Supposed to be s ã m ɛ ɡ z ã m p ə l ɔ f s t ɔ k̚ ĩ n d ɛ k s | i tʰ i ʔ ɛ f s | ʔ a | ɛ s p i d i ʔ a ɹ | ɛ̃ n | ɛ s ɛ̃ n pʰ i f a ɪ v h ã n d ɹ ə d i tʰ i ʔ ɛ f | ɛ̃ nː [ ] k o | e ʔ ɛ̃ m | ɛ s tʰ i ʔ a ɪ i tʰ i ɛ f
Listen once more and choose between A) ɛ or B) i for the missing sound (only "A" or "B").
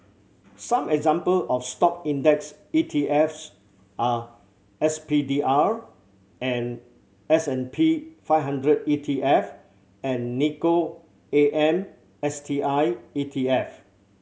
B